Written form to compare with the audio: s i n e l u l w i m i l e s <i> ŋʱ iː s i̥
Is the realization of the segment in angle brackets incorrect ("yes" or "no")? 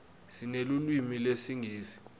no